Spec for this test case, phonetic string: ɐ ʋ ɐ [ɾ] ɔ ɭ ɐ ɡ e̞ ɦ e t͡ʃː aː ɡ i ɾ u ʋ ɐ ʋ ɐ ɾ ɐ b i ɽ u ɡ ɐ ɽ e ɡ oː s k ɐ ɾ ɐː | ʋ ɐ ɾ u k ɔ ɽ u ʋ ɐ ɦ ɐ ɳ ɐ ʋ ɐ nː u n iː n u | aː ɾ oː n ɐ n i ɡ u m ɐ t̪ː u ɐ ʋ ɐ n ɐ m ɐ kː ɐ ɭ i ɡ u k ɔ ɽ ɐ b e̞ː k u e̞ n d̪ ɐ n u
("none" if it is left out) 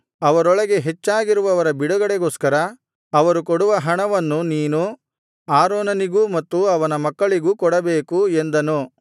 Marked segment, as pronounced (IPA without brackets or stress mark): ɾ